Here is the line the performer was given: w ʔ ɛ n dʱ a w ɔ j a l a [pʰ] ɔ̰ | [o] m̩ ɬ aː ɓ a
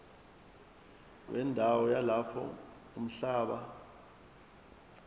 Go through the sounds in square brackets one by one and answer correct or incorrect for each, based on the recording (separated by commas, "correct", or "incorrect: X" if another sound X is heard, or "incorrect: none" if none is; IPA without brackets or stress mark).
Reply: correct, incorrect: u